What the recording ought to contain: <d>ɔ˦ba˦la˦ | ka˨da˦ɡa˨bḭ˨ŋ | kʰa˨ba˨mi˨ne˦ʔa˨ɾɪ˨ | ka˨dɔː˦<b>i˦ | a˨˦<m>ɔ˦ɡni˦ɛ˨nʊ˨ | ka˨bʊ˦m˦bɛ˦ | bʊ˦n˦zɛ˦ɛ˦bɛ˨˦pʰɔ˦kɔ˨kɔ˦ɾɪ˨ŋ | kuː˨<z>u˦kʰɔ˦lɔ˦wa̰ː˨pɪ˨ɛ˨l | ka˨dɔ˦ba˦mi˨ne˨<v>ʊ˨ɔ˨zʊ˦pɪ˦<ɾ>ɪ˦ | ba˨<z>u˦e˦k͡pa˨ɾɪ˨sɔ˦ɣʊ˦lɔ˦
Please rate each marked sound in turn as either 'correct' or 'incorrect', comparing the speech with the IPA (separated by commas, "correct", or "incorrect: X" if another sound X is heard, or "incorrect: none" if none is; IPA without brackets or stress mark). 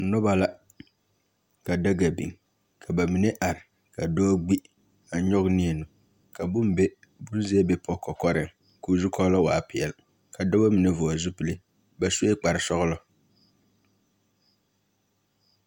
incorrect: n, incorrect: ɡ͡b, incorrect: ɲ, correct, correct, incorrect: l, incorrect: s